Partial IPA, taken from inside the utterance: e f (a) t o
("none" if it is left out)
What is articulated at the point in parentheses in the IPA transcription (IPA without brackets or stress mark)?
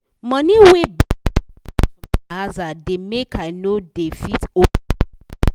i